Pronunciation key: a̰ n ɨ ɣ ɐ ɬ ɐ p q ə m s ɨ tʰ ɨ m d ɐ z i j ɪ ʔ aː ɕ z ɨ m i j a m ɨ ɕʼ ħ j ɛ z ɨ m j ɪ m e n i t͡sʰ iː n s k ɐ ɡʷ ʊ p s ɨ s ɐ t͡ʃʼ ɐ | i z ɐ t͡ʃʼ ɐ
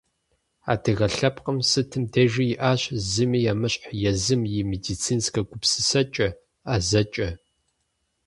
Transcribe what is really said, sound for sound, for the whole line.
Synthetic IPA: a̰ d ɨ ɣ ɐ ɬ ɐ p q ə m s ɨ tʰ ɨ m d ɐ ʒ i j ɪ ʔ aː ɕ z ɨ m i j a m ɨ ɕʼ ħ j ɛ z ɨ m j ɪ m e d i t͡sʰ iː n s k ɐ ɡʷ ʊ p s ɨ s ɐ t͡ʃʼ ɐ | a z ɐ t͡ʃʼ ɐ